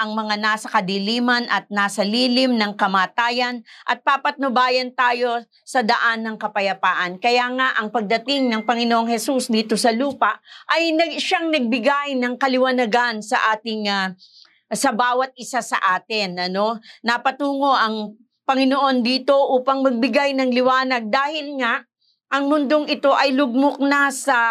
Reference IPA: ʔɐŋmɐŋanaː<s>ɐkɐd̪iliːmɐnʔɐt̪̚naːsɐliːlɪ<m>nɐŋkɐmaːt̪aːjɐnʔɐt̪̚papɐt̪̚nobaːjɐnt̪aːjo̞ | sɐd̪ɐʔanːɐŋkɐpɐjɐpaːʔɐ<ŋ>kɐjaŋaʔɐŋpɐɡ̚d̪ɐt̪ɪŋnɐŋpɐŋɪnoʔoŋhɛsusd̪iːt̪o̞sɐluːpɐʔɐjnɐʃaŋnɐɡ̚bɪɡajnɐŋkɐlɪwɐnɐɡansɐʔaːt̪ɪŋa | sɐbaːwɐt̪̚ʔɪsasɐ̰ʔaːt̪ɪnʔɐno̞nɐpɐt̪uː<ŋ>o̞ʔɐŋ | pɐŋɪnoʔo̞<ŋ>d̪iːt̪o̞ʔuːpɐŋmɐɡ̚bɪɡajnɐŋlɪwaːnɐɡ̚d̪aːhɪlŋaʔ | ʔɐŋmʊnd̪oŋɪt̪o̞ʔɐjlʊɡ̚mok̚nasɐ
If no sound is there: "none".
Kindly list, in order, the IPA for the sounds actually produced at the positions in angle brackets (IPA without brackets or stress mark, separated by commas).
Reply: s, m, n, ŋ, n